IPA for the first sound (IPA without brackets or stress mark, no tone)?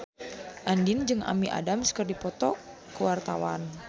ʔ